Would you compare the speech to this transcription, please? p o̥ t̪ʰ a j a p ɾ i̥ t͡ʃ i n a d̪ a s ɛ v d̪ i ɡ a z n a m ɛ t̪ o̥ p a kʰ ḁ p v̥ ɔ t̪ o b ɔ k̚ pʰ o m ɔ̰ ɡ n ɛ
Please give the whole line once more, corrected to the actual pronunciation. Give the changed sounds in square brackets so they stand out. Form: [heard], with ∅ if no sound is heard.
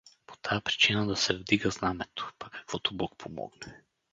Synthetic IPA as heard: p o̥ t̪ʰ a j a p ɾ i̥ t͡ʃ i n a d̪ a s ɛ v d̪ i ɡ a z n a m ɛ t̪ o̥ p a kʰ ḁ [k] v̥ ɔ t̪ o b ɔ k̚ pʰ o m ɔ̰ ɡ n ɛ